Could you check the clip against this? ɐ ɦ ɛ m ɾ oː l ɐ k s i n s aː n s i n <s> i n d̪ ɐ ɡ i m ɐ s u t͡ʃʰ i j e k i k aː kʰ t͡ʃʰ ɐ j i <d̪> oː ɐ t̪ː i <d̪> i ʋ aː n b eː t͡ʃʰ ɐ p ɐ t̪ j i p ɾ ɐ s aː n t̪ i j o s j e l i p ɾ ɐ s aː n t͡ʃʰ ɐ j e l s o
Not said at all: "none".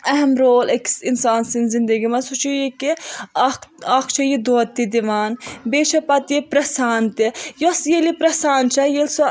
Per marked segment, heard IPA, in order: z, d̪, d̪

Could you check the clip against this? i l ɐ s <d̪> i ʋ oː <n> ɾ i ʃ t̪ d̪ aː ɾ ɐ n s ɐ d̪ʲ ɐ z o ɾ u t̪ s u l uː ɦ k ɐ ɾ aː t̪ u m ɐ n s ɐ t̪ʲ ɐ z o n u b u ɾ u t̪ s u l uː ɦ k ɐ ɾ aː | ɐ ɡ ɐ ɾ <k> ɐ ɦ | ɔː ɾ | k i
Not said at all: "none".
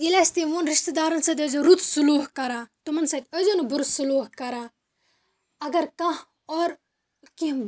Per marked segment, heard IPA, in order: t̪, n, k

